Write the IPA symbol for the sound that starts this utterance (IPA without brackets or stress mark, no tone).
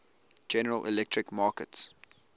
d͡ʒ